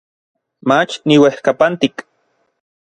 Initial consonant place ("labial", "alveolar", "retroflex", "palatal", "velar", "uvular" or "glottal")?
labial